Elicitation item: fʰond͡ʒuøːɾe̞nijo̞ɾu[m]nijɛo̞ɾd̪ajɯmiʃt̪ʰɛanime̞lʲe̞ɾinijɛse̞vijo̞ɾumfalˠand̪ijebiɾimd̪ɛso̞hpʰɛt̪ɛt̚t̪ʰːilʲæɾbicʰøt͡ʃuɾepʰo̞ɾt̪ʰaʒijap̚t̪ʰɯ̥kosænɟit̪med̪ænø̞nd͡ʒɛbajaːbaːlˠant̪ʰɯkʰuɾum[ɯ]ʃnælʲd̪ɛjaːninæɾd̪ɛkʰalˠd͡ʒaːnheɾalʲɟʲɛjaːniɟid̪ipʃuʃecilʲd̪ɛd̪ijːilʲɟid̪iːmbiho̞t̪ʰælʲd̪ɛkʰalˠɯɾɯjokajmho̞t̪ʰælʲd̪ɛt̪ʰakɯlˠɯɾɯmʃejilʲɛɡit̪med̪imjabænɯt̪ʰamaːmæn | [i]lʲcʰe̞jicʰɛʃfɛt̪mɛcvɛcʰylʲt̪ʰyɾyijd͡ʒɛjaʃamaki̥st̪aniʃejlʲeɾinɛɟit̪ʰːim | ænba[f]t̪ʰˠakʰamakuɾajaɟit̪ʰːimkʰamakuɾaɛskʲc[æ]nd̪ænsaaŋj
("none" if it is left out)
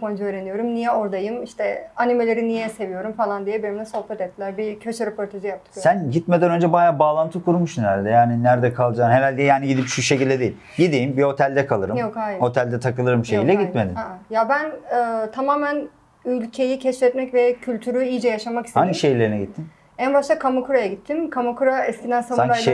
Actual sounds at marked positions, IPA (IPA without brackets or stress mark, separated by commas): m, u, y, ʃ, i